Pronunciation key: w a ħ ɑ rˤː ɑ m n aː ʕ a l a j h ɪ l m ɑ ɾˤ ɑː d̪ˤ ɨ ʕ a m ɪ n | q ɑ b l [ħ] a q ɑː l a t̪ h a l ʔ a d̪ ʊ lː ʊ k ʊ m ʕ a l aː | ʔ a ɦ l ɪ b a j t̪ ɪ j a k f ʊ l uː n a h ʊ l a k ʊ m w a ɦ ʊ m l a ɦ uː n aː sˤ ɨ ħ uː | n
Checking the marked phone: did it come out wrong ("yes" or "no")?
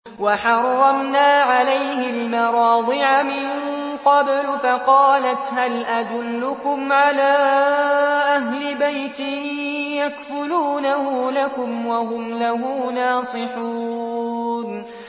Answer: yes